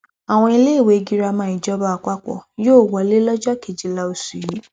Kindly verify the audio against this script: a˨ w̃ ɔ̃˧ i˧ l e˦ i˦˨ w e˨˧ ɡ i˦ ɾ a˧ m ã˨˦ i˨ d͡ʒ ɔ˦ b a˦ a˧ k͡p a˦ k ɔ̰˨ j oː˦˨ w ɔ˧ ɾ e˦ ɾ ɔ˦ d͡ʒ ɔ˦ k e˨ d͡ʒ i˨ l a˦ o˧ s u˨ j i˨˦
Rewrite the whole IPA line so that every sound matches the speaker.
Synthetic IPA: a˨ w̃ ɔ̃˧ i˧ l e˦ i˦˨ w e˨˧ ɡ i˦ ɾ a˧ m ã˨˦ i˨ d͡ʒ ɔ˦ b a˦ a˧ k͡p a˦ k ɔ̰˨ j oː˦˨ w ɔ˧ l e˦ l ɔ˦ d͡ʒ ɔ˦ k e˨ d͡ʒ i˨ l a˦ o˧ s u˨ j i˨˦